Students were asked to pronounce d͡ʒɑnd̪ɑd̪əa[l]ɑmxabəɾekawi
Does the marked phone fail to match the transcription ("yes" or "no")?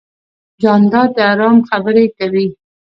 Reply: yes